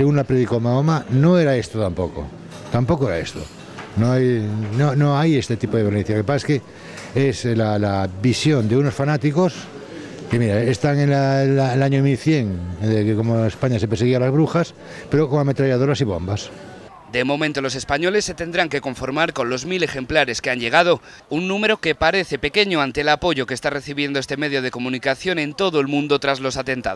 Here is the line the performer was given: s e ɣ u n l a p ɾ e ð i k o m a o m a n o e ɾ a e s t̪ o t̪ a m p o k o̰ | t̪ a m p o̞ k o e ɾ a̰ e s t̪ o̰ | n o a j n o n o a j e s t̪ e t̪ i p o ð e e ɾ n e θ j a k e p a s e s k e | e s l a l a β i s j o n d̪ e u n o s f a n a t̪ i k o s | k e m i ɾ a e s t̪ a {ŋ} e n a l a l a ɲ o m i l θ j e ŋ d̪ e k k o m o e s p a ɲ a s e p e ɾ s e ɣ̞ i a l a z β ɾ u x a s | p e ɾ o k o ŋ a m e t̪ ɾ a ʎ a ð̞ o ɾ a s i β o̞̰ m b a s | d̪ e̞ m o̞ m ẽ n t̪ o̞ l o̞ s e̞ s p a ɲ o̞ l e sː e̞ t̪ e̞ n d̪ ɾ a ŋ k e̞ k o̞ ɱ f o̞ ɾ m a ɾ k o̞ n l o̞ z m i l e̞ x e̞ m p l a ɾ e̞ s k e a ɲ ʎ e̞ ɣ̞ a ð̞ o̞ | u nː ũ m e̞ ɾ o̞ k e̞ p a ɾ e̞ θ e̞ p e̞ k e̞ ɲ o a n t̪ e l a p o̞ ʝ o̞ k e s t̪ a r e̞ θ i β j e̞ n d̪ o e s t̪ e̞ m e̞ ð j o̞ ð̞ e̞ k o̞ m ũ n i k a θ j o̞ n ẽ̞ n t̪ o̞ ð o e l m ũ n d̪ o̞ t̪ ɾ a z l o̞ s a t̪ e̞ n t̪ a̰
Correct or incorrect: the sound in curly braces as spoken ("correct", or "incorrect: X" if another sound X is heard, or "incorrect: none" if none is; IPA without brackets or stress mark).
correct